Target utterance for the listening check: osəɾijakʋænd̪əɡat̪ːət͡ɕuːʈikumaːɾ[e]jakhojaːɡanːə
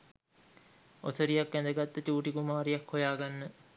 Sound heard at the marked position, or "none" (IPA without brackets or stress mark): i